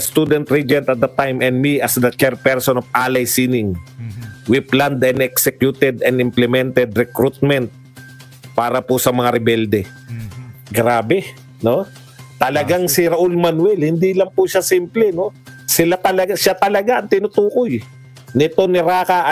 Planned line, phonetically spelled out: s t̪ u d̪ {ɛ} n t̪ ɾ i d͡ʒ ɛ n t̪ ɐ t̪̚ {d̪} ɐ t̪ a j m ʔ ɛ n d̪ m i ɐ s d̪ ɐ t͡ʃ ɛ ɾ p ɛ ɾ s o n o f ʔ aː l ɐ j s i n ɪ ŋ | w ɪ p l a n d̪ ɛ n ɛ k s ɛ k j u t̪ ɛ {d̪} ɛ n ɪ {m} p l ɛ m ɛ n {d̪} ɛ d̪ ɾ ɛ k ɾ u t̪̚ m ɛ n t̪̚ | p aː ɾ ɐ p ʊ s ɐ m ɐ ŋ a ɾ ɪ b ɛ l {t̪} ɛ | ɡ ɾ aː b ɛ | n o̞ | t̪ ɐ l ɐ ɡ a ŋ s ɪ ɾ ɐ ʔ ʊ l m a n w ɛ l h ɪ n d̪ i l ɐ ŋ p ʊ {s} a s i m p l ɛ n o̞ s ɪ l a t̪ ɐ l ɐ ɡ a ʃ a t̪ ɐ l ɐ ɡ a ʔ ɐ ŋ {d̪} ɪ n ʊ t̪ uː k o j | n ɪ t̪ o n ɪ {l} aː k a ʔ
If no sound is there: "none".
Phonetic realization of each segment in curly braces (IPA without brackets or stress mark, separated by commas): ɛ, d̪, d̪, m, t̪, d̪, ʃ, t̪, ɾ